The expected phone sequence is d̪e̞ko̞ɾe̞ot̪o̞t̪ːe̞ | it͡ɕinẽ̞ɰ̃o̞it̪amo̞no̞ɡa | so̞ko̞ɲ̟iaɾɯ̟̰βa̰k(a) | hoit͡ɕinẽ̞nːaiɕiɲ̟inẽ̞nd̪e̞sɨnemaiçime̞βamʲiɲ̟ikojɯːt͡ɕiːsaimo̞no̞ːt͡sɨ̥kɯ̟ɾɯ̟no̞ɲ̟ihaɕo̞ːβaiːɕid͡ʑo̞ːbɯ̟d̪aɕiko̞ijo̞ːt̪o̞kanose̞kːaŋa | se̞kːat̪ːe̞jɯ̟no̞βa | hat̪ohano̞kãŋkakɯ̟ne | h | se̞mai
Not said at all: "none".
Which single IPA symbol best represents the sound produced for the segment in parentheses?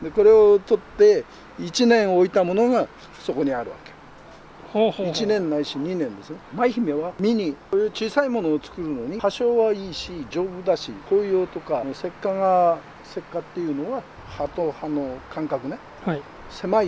e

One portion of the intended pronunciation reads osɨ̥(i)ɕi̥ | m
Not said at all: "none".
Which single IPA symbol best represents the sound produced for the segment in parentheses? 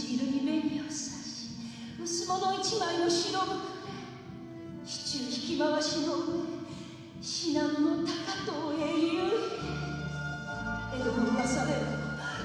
a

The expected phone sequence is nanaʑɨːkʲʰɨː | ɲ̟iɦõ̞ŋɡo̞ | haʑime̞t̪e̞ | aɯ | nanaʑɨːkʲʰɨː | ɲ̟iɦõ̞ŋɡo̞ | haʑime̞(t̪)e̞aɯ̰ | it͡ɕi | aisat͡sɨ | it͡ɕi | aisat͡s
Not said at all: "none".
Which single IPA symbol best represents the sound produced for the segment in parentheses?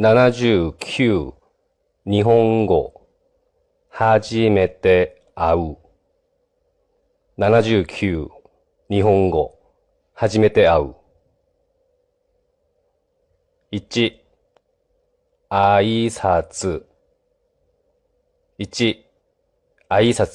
t̪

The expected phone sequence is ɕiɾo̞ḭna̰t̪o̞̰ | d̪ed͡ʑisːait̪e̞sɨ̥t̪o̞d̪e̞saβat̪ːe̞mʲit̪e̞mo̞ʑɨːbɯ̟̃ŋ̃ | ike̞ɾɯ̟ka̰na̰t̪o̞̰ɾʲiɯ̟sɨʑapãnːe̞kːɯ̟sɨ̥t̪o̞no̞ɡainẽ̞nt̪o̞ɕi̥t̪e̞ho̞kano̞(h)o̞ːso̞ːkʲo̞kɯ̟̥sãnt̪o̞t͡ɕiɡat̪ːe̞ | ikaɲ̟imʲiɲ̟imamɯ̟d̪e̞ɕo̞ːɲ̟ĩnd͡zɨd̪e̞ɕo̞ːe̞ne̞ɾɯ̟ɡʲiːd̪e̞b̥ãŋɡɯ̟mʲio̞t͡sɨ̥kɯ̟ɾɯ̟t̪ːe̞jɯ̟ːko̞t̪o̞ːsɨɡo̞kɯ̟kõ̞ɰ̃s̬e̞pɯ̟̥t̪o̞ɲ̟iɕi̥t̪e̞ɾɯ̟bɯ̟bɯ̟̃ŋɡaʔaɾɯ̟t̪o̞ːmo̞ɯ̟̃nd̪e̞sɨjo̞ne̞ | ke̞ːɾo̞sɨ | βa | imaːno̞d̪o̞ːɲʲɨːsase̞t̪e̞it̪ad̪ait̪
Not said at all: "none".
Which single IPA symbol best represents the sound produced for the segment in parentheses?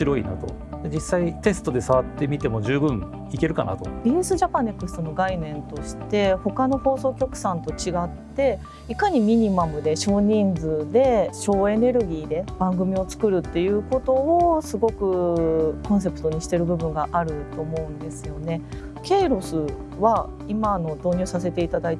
h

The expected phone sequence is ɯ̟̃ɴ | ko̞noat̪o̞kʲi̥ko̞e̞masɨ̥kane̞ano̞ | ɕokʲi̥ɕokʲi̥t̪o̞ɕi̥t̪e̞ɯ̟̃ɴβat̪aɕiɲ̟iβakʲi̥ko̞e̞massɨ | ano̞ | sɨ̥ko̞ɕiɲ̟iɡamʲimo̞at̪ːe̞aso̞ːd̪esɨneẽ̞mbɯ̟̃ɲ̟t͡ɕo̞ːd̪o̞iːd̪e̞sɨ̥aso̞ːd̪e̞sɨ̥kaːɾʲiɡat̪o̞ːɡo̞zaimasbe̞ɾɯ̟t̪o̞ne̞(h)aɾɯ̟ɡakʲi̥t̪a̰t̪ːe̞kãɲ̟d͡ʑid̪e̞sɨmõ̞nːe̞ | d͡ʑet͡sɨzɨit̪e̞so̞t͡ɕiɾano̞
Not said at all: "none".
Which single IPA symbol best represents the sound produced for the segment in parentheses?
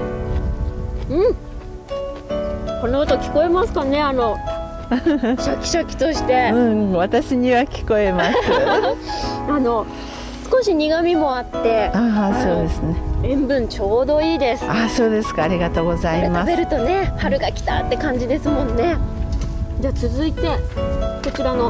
h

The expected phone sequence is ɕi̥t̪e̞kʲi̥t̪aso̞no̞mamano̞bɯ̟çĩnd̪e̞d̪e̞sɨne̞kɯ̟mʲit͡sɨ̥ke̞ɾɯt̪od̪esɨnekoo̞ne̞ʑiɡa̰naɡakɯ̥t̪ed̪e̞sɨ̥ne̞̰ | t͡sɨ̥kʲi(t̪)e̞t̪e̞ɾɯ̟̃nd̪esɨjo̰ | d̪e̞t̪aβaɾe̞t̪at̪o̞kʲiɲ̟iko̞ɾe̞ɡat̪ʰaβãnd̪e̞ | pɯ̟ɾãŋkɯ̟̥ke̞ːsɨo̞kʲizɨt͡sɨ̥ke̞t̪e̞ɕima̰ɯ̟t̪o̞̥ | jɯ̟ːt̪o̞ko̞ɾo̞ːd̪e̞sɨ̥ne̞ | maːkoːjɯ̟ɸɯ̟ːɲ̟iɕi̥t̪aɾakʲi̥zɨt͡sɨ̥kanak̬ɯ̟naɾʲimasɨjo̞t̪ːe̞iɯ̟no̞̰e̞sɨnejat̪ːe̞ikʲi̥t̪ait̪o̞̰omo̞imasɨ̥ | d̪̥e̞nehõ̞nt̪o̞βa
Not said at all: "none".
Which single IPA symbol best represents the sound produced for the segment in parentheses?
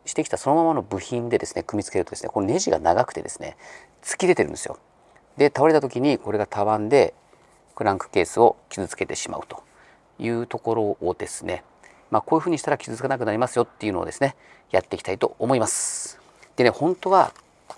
d̪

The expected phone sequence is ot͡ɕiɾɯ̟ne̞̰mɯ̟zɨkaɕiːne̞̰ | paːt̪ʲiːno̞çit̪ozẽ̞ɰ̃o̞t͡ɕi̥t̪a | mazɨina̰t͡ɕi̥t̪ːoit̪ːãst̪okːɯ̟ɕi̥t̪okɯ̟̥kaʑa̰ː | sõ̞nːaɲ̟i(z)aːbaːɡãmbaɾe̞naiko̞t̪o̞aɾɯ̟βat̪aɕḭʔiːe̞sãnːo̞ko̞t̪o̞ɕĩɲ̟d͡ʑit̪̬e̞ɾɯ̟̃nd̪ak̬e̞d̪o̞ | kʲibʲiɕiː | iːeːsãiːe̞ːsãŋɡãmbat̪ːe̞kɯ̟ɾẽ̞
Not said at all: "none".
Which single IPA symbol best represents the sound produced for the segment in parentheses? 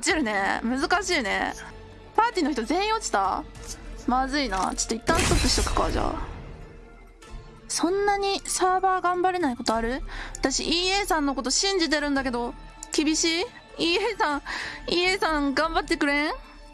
s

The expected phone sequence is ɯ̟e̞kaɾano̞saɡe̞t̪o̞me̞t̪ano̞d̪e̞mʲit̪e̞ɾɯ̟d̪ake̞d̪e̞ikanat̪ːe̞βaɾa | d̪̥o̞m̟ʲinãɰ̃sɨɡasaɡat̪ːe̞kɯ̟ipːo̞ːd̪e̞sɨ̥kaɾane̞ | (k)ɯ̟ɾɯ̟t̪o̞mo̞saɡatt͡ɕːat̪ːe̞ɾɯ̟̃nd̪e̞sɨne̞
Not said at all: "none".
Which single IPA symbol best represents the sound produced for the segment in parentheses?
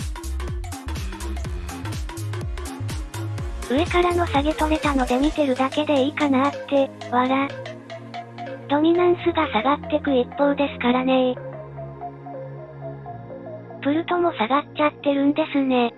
p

